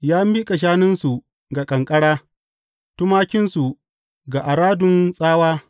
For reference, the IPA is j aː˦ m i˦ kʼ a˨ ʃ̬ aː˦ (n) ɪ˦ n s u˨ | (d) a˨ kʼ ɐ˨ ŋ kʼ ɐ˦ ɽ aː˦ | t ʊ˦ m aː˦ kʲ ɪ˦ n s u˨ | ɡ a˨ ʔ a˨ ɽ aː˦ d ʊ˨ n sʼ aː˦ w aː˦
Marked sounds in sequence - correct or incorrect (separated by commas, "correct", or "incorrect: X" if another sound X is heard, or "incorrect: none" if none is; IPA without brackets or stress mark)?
correct, incorrect: ɡ